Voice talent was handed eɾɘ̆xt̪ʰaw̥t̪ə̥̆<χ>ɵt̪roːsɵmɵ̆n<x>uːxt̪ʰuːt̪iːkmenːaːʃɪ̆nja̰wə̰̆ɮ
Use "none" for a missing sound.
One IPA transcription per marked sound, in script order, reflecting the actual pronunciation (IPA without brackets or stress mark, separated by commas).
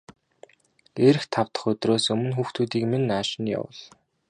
χ, x